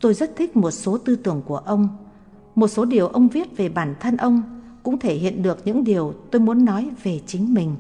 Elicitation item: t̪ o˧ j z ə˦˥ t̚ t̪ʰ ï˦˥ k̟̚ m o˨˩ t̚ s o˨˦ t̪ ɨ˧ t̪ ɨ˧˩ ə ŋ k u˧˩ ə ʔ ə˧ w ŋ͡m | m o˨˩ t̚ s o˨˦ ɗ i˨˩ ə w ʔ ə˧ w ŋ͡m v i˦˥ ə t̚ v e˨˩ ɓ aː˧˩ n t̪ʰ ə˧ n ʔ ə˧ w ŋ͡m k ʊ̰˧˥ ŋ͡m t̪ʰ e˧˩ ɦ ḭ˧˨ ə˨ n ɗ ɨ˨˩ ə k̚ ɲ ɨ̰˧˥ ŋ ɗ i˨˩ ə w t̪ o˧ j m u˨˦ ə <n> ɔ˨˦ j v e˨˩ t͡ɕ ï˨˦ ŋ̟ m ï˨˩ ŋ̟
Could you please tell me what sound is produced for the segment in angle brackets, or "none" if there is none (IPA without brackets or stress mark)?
nː